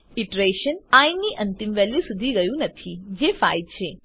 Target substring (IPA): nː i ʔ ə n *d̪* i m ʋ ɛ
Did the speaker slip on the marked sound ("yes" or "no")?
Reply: yes